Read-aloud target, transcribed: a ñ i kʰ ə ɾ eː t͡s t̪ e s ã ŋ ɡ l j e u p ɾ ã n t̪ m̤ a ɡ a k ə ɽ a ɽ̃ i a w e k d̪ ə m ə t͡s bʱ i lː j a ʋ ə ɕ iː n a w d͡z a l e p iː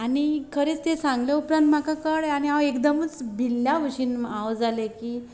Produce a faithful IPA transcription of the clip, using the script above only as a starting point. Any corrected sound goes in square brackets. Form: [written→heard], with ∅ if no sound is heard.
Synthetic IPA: a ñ i kʰ ə ɾ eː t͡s t̪ e s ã ŋ ɡ l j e u p ɾ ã n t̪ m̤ a [ɡ→k] a k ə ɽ a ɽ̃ i a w e k d̪ ə m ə t͡s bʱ i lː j a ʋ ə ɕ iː n a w d͡z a l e [p→k] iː

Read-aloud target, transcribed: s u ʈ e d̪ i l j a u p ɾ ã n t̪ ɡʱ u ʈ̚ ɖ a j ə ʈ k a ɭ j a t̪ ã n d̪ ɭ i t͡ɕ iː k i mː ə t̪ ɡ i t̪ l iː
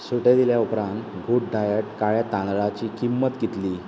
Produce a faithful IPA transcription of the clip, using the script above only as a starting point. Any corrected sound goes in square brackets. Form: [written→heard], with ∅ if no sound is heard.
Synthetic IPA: s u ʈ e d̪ i l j a u p ɾ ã n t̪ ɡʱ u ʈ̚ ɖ a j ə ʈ k a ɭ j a t̪ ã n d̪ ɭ [i→a] t͡ɕ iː k i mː ə t̪ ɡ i t̪ l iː

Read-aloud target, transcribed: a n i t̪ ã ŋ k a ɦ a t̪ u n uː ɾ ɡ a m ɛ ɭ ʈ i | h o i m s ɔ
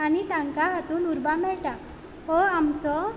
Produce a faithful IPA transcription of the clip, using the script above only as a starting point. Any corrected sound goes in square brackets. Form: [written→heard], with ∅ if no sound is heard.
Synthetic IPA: a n i t̪ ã ŋ k a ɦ a t̪ [u→uː] n [uː→u] ɾ [ɡ→b] a m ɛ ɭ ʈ [i→a] | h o [i→a] m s ɔ

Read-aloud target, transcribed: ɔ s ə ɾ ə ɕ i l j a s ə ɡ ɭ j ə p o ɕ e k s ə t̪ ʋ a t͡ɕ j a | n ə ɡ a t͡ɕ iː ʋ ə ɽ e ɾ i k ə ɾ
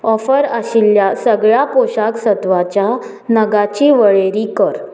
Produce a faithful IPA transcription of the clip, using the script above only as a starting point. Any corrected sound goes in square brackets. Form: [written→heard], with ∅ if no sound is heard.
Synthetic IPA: ɔ [s→f] ə ɾ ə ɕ i l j a s ə ɡ ɭ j [ə→a] p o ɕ [e→a] k s ə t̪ ʋ a t͡ɕ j a | n ə ɡ a t͡ɕ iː ʋ ə [ɽ→ɭ] e ɾ i k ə ɾ

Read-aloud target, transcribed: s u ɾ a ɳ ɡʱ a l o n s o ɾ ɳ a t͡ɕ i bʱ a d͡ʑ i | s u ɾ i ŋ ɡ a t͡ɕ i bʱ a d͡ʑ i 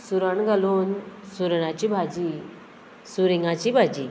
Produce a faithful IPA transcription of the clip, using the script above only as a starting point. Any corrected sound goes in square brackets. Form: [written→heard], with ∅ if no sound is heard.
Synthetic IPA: s u ɾ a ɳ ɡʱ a l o n s [o→u] ɾ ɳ a t͡ɕ i bʱ a d͡ʑ i | s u ɾ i ŋ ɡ a t͡ɕ i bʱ a d͡ʑ i

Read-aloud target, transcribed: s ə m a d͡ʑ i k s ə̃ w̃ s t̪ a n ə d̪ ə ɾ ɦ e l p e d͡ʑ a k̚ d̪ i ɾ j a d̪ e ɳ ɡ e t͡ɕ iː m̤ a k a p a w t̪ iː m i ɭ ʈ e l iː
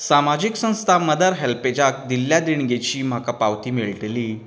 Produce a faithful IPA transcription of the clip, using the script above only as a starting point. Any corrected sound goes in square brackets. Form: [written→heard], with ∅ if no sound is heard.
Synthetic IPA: s [ə→a] m a d͡ʑ i k s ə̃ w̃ s [t̪→t̪ʰ] a [n→m] ə d̪ ə ɾ ɦ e l p e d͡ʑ a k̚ d̪ i [ɾ→l] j a d̪ [e→i] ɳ ɡ e t͡ɕ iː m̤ a k a p a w t̪ iː m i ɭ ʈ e l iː

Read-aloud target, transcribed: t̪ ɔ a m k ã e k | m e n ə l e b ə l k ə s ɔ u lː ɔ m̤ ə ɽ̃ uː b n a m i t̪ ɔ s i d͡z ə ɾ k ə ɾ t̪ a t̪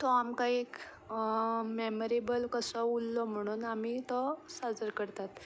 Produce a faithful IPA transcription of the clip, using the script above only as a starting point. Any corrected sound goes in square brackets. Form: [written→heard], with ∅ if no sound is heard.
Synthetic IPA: t̪ ɔ a m k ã e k | m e [n→m] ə [l→ɾ] e b ə l k ə s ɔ u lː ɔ m̤ ə ɽ̃ uː [b→∅] n a m i t̪ ɔ s [i→a] d͡z ə ɾ k ə ɾ t̪ a t̪

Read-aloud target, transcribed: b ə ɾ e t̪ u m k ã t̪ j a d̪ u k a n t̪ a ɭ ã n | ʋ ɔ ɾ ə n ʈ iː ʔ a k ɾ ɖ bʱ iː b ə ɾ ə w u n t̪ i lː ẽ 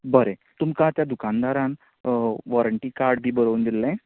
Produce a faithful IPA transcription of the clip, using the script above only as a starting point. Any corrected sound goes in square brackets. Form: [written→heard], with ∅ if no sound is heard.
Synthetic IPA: b ə ɾ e t̪ u m k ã t̪ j a d̪ u k a n [t̪→d̪] a [ɭ→ɾ] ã n | ʋ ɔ ɾ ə [n→ɳ] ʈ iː [ʔ→k] a [k→∅] ɾ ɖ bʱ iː b ə ɾ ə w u n [t̪→d̪] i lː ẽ

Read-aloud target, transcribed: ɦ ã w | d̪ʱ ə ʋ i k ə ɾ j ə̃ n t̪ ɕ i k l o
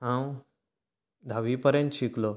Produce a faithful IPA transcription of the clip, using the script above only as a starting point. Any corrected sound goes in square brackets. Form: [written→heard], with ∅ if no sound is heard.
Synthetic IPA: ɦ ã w | d̪ʱ [ə→a] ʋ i [k→p] ə ɾ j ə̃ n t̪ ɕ i k l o

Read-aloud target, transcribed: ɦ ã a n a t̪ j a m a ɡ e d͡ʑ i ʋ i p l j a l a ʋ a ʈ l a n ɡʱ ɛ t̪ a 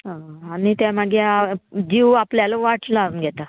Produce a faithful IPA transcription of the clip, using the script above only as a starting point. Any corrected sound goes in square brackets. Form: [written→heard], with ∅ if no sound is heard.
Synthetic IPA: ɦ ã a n [a→i] t̪ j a m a ɡ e d͡ʑ i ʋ [i→a] p l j a l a ʋ a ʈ l a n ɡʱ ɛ t̪ a

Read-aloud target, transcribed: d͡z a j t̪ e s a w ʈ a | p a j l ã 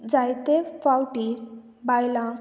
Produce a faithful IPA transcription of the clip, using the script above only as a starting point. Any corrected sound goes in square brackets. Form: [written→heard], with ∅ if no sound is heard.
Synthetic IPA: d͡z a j t̪ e [s→f] a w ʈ [a→i] | [p→b] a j l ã

